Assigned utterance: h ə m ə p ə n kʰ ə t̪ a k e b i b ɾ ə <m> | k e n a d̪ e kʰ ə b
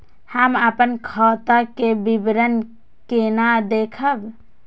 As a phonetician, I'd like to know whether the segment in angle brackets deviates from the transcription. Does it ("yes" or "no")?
yes